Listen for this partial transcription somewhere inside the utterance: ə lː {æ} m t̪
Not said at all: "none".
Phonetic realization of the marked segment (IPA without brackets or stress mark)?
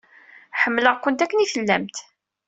æ